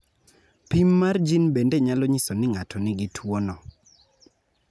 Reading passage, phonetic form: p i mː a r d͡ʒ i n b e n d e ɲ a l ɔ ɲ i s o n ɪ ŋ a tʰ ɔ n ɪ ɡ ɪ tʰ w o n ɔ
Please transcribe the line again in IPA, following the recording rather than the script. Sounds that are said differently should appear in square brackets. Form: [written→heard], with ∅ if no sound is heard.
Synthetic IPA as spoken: p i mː a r d͡ʒ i n b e n d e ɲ a l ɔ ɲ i s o n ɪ ŋ a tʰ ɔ n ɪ ɡ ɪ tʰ w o n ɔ